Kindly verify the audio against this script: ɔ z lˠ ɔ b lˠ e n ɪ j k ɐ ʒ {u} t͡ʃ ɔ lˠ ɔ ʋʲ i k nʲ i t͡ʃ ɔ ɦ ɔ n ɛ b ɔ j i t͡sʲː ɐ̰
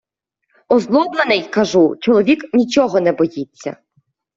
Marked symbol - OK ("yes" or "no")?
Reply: yes